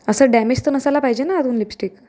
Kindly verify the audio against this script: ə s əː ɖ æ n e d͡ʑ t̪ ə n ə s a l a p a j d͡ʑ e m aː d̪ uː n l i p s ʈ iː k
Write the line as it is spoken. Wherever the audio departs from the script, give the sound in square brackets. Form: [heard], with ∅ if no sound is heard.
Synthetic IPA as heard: ə s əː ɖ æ [m] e d͡ʑ t̪ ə n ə s a l a p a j d͡ʑ e [n] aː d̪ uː n l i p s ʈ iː k

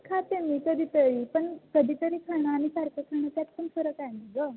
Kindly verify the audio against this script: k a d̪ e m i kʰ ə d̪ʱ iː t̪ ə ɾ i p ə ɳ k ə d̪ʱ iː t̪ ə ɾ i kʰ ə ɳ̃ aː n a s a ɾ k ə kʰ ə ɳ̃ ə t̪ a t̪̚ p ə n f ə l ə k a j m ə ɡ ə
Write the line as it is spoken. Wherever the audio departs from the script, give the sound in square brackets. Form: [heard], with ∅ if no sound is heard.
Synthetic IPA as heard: [kʰ] a [t̪] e m i [k] ə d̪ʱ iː t̪ ə ɾ i p ə ɳ k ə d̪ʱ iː t̪ ə ɾ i kʰ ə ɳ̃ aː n [i] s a ɾ k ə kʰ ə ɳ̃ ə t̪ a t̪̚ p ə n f ə [ɾ] ə k a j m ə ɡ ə

